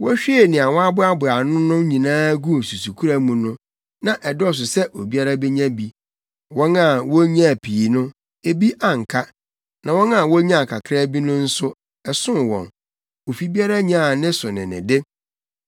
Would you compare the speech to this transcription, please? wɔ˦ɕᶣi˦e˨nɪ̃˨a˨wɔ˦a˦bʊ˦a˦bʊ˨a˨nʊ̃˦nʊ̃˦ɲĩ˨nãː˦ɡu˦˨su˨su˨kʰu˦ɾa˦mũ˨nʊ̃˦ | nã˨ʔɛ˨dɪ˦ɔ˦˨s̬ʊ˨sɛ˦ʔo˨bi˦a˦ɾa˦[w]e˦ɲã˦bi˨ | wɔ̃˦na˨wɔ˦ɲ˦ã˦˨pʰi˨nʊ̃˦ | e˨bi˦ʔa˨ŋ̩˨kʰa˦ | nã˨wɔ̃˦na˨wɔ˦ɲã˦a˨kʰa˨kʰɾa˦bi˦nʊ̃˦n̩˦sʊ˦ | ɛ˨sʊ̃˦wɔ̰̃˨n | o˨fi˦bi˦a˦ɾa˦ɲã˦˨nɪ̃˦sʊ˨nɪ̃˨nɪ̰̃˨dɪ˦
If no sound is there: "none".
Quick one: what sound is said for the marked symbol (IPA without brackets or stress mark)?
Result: b